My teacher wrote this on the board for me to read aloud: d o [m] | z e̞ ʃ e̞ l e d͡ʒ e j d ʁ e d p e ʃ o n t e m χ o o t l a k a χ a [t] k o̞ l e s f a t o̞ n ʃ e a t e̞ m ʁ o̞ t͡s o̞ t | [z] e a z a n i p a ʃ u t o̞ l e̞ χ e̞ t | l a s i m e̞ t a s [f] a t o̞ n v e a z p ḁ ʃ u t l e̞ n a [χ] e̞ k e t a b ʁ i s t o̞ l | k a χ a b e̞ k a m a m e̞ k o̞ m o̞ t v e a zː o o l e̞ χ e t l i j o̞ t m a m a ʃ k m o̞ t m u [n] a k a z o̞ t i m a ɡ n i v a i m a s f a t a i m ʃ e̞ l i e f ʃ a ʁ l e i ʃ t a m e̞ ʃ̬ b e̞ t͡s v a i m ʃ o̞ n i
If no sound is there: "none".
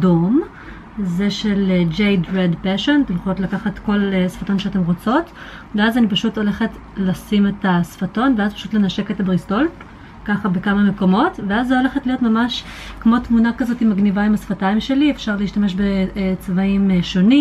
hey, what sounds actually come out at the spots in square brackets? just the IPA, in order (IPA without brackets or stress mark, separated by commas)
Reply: m, t, v, f, ʃ, n